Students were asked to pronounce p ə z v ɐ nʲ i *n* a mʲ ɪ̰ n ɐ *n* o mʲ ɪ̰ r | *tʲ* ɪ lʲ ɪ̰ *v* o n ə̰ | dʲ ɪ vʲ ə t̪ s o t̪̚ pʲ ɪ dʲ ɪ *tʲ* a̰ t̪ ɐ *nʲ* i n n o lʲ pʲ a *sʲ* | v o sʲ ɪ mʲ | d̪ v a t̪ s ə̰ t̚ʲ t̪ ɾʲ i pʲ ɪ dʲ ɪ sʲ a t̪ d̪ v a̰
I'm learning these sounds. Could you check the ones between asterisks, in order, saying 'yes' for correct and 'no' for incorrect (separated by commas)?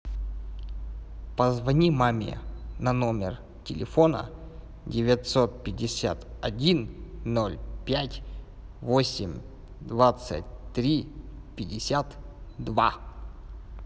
no, yes, yes, no, no, no, no